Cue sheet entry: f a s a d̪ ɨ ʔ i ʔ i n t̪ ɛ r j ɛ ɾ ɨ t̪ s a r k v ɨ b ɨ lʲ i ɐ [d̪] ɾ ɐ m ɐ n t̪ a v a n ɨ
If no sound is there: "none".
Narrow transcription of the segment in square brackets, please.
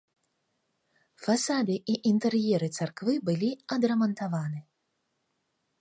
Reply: d̪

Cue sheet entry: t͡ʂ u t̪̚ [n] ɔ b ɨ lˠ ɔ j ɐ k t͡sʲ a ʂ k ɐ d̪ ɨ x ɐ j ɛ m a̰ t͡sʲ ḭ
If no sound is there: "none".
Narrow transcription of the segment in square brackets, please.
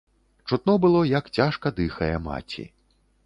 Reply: n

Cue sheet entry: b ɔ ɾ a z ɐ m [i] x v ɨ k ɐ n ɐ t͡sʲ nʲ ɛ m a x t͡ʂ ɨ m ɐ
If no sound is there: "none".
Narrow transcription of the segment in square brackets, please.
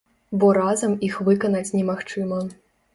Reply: i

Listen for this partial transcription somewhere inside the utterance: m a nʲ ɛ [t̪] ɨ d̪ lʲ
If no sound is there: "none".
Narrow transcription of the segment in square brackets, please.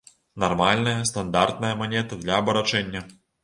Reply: t̪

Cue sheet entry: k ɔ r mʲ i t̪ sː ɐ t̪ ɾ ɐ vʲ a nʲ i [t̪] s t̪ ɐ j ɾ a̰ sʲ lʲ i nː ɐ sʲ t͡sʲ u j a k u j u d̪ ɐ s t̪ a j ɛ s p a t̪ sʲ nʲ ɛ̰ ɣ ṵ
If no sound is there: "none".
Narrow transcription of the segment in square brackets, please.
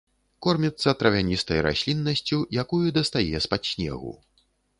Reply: none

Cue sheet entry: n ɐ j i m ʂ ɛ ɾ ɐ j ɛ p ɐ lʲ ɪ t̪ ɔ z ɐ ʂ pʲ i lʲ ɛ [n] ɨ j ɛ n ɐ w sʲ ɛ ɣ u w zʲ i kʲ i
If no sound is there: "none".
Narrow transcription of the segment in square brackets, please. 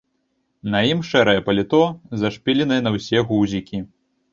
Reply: n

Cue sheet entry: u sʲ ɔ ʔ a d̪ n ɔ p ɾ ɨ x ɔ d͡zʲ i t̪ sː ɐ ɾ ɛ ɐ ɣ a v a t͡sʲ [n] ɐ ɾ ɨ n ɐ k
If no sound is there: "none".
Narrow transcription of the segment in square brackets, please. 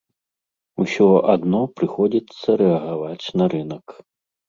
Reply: n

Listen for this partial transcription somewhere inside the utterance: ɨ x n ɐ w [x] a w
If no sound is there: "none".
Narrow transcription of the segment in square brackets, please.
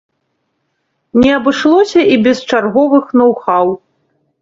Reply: x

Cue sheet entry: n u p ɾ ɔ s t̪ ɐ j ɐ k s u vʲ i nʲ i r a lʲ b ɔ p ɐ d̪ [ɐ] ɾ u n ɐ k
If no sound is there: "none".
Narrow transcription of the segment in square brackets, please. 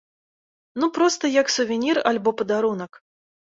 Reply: a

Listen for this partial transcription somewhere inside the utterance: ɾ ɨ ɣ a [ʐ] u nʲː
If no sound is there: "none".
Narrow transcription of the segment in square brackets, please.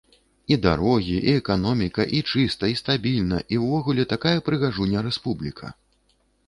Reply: ʐ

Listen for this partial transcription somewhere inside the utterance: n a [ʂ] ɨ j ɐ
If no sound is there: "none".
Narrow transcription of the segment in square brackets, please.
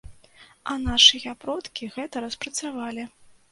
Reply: ʂ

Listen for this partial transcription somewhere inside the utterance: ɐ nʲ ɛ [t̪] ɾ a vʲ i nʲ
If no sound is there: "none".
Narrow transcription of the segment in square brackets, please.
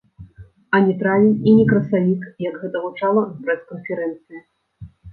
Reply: t̪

